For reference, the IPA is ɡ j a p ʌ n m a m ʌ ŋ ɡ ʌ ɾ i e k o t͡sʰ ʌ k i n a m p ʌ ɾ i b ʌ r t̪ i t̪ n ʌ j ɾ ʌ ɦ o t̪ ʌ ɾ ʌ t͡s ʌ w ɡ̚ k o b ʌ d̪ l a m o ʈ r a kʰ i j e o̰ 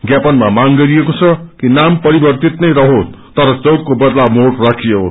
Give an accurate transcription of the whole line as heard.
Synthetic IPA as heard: ɡ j a p ʌ n m a m a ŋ ɡ ʌ ɾ i e k o t͡sʰ ʌ k i n a m p ʌ ɾ i b ʌ r t̪ i t̪ n ʌ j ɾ ʌ ɦ o t̪ ʌ ɾ ʌ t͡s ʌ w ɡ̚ k o b ʌ d̪ l a m o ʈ r a kʰ i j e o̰